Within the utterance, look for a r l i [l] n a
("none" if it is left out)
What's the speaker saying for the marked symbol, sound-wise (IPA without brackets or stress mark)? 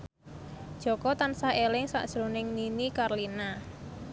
none